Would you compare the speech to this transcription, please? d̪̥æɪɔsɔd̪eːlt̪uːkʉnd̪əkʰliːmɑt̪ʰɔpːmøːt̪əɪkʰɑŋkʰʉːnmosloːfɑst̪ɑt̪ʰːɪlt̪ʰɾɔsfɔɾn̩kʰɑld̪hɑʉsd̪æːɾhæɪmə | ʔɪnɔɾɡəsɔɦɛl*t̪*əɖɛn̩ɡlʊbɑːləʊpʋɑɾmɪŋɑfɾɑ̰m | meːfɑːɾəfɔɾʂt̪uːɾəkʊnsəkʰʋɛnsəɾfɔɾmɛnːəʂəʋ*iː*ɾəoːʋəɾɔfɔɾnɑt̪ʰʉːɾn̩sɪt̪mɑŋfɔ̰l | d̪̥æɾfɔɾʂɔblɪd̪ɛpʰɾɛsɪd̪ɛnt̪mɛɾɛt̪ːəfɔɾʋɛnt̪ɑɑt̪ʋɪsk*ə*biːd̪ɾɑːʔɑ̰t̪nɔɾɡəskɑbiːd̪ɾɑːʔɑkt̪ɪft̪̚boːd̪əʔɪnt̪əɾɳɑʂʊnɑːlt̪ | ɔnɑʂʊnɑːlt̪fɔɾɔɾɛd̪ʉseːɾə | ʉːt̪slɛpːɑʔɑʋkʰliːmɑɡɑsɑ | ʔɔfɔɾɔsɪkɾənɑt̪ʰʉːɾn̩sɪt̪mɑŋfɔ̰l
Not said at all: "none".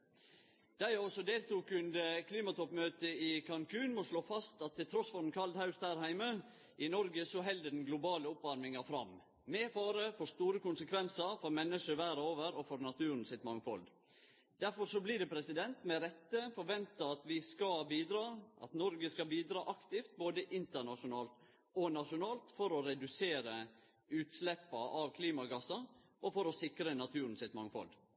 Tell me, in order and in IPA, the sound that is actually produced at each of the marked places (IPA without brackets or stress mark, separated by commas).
d̪, æː, ɑ